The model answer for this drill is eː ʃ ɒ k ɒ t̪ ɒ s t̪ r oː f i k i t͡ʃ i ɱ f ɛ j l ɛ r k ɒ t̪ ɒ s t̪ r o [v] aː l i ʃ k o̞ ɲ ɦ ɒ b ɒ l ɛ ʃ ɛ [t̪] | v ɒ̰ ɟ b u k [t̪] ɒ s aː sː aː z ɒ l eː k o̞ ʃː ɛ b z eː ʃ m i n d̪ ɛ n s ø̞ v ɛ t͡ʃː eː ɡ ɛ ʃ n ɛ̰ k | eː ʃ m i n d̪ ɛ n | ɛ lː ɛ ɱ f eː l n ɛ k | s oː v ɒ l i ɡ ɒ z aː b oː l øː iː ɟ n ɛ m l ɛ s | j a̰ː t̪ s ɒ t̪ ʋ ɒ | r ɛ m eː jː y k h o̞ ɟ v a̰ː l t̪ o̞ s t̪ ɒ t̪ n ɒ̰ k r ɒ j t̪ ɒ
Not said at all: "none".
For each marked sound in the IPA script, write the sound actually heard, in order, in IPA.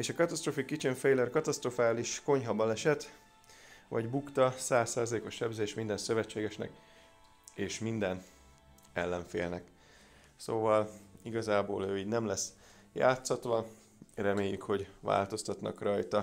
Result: f, t̪, t̪

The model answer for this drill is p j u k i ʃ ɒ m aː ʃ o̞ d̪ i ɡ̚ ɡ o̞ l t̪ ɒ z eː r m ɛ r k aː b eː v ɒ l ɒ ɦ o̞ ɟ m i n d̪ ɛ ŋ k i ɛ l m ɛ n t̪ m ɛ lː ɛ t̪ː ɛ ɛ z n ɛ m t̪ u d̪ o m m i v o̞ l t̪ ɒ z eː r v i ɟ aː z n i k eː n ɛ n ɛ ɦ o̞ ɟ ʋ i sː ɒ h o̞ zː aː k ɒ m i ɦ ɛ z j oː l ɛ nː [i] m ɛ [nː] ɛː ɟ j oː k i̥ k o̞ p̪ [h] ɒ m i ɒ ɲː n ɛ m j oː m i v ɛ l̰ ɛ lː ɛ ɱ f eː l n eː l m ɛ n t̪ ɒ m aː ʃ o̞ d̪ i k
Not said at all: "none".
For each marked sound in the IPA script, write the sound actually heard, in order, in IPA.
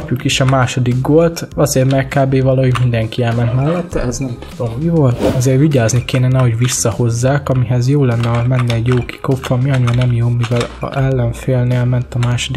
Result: ɛ, nː, f

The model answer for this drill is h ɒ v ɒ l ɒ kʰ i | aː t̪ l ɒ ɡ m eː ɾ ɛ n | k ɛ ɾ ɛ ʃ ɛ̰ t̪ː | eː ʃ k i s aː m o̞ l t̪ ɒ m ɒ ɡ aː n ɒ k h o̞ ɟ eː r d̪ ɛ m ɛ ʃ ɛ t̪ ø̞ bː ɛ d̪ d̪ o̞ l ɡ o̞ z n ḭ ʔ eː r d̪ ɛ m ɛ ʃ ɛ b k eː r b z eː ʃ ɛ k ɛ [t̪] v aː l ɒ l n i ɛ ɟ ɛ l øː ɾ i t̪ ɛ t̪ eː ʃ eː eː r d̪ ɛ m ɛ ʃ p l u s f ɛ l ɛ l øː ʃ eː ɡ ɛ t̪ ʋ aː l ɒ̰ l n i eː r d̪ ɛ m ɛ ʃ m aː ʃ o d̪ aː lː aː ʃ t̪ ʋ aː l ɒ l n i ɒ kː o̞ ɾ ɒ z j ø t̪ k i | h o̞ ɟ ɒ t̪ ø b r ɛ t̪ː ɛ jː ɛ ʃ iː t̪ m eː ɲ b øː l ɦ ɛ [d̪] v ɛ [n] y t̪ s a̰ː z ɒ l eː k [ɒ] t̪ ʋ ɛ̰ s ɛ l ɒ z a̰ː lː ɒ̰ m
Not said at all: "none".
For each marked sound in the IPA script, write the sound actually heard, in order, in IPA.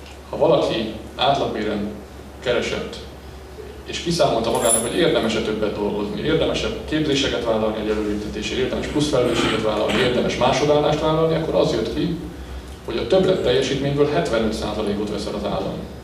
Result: t̪, t̪, n, o

